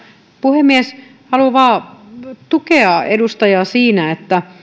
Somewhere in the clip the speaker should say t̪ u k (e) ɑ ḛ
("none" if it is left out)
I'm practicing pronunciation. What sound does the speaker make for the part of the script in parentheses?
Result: e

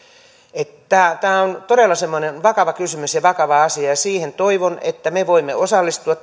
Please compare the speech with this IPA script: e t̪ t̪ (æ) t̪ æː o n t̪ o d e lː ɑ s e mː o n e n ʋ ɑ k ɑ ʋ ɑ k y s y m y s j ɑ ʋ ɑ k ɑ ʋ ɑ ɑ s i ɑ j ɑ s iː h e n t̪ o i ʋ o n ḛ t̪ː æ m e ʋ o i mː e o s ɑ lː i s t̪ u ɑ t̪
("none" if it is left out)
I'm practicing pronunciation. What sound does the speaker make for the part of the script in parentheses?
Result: æː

